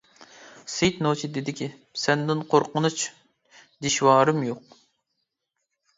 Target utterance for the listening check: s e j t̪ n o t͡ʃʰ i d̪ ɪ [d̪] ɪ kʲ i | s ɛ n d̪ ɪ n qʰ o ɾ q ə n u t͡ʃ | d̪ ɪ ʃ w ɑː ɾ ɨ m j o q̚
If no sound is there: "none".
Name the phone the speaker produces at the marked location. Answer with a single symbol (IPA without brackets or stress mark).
d̪